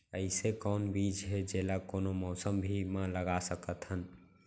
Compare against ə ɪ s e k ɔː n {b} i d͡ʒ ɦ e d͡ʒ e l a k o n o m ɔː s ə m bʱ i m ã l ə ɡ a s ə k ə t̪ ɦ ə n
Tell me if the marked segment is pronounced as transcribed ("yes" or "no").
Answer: yes